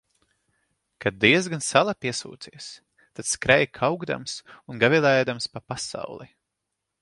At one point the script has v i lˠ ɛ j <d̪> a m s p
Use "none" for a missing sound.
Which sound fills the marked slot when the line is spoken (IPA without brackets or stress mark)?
d̪